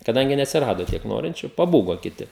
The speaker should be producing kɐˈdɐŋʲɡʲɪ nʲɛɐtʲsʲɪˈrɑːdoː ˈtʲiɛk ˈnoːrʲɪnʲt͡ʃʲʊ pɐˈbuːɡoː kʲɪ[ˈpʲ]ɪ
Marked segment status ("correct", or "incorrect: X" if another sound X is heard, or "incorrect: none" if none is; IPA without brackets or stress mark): incorrect: tʲ